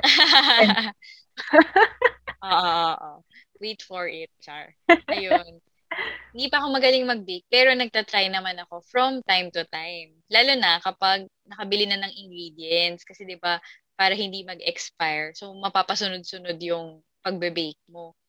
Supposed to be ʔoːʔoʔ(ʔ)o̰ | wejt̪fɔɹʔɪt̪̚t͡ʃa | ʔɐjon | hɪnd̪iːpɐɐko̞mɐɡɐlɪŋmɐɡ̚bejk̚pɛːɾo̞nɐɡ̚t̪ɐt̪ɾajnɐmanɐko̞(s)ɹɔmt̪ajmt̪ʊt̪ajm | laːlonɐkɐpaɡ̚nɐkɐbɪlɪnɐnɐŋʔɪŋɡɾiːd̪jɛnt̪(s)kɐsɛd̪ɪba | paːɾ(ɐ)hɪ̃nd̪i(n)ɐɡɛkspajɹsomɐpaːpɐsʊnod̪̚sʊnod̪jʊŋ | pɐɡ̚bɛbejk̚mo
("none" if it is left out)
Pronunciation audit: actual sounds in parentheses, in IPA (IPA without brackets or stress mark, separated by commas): ʔ, f, s, ɐ, m